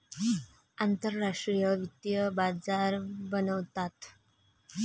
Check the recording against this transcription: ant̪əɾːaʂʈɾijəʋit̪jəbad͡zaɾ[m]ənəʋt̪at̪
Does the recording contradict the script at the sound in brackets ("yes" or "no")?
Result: yes